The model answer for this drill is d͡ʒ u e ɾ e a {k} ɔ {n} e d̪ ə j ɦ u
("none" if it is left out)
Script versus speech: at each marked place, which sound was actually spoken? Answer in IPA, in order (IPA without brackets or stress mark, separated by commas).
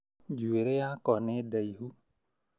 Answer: k, n